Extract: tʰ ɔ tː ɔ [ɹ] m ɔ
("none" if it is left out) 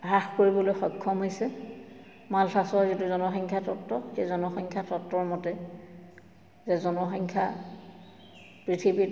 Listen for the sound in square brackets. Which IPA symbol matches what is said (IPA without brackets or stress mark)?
ɹ